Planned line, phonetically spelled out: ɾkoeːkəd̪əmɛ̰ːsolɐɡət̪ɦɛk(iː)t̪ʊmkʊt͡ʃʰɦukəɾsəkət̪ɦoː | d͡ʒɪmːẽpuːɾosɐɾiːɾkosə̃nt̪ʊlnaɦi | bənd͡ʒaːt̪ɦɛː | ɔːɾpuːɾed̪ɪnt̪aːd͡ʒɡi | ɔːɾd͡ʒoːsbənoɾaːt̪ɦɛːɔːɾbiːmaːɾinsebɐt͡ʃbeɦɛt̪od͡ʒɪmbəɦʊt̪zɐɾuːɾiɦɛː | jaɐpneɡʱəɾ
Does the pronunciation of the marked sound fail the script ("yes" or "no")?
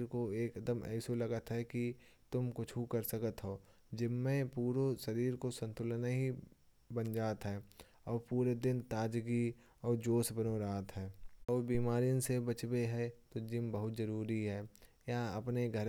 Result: yes